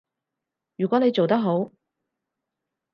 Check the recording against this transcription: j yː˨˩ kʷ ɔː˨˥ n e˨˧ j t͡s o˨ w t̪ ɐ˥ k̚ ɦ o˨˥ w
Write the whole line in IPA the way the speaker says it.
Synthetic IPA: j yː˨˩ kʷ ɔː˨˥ n e˨˧ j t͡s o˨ w t̪ ɐ˥ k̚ ɦ o˨˥ w